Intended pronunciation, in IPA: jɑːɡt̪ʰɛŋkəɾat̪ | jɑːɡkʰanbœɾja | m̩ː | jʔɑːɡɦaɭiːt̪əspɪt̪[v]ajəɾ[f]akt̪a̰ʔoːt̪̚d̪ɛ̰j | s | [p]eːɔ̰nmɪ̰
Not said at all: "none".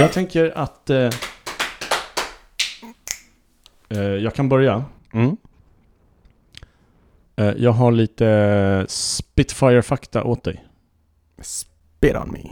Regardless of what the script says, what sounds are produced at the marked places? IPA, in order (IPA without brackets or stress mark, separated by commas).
f, f, p